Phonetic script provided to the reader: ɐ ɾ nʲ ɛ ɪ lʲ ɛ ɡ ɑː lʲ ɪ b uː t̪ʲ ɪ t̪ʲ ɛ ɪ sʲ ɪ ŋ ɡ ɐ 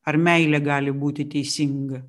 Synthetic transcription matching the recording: ɐ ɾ mʲ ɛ ɪ lʲ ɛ ɡ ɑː lʲ ɪ b uː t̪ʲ ɪ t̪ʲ ɛ ɪ sʲ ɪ ŋ ɡ ɐ